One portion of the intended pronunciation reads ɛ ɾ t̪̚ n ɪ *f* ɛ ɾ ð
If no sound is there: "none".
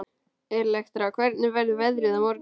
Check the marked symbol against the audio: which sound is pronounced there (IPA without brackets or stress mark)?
v